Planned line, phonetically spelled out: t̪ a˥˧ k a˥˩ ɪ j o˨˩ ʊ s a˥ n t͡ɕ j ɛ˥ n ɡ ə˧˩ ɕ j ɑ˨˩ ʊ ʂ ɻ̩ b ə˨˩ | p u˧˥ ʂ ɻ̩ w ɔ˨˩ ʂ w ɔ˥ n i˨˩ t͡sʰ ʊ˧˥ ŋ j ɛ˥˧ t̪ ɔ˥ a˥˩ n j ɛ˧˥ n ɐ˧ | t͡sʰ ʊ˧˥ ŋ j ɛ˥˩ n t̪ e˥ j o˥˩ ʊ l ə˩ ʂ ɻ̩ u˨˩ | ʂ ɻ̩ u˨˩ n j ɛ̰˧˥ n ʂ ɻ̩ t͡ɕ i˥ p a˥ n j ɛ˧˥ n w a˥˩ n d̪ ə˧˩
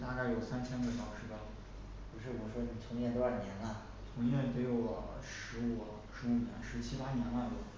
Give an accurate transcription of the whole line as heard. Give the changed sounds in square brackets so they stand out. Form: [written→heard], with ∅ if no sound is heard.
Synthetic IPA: t̪ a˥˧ k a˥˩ ɪ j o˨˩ ʊ s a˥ n [t͡ɕ→t͡ɕʰ] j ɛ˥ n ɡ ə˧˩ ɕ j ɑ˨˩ ʊ ʂ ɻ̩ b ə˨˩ | p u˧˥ ʂ ɻ̩ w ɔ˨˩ ʂ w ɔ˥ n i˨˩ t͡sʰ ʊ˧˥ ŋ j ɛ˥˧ t̪ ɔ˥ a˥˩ n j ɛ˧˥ n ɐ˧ | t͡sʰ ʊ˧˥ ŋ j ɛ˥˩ n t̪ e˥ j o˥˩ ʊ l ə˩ ʂ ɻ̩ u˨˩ | ʂ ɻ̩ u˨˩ n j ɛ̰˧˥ n ʂ ɻ̩ [t͡ɕ→t͡ɕʰ] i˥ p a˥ n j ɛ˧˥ n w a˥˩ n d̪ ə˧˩